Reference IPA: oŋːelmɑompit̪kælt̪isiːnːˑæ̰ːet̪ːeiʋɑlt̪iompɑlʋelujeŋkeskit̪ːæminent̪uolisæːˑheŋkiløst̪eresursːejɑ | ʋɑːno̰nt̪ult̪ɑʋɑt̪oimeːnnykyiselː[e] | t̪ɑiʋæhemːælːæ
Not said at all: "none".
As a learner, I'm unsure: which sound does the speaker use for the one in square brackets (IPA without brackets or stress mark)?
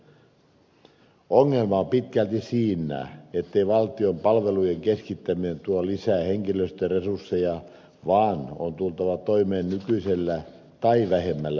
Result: æ